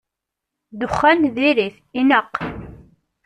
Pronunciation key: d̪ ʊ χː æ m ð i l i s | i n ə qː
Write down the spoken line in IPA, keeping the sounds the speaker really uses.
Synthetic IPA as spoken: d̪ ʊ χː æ n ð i ɾ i θ | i n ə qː